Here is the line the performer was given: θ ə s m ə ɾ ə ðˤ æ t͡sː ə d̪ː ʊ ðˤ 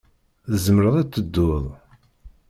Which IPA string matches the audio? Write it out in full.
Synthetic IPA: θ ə z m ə ɾ ə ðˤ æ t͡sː ə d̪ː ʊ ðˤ